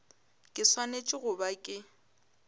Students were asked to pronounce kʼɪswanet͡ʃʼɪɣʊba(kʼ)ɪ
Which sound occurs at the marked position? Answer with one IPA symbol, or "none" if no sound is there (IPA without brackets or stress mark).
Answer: kʼ